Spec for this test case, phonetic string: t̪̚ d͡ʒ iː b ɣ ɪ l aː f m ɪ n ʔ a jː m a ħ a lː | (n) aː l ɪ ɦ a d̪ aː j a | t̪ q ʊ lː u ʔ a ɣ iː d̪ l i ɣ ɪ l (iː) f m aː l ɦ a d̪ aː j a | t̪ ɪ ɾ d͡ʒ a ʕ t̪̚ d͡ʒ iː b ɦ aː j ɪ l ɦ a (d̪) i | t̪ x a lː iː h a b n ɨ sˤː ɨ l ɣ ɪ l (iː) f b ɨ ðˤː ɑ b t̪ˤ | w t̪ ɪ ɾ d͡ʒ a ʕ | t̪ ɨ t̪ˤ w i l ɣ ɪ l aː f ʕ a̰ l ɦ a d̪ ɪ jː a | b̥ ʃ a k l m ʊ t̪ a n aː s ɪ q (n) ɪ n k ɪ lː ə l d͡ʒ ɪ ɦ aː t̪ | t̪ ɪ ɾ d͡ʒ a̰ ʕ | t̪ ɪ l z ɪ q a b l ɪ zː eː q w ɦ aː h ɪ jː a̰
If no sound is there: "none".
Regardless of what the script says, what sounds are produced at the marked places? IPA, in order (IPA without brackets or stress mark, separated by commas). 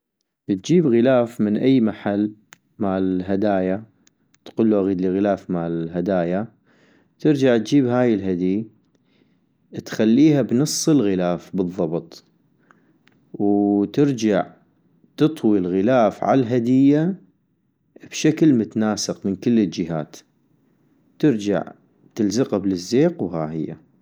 m, aː, d̪, aː, m